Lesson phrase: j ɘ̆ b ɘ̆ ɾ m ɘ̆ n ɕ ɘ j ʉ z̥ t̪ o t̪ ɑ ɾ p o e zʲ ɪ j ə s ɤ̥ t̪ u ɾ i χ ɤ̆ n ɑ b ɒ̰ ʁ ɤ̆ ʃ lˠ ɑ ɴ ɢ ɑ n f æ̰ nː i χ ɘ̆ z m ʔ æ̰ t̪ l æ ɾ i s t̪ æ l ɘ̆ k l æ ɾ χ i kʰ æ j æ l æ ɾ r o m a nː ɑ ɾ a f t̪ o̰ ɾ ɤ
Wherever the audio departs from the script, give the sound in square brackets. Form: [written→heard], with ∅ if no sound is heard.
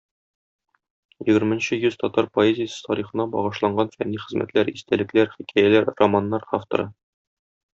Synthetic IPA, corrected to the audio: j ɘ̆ [b→ɡ] ɘ̆ ɾ m ɘ̆ n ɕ ɘ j ʉ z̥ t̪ [o→ɒ] t̪ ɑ ɾ p o e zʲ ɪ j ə s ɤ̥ t̪ [u→ɒ] ɾ i χ ɤ̆ n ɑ b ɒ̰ ʁ ɤ̆ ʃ lˠ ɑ ɴ ɢ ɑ n f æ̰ nː i χ ɘ̆ z m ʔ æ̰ t̪ l æ ɾ i s t̪ æ l ɘ̆ k l æ ɾ χ i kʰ æ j æ l æ ɾ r o m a nː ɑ ɾ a f t̪ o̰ ɾ ɤ